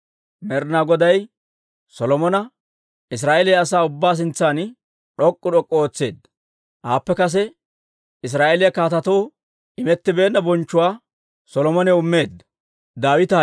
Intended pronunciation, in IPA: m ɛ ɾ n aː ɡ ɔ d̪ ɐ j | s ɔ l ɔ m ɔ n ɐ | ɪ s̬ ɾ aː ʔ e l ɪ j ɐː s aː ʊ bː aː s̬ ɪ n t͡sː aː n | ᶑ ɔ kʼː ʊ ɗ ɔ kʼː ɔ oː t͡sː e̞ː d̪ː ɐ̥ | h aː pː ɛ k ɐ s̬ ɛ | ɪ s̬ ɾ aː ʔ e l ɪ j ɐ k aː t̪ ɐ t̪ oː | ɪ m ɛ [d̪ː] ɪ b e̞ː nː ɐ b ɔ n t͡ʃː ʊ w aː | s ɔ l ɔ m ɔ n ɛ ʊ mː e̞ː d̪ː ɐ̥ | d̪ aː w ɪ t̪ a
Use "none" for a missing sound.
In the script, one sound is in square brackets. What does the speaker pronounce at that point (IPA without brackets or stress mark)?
t̪ː